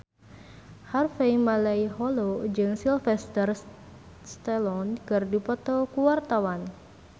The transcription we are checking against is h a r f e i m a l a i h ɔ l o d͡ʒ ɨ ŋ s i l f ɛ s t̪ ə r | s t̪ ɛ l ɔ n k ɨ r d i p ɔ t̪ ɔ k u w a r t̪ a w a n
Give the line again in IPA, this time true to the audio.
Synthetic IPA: h a r f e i m a l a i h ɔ l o d͡ʒ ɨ ŋ s i l f ɛ s t̪ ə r | s t̪ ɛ l ɔ n k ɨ r d i p ɔ t̪ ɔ k u w a r t̪ a w a n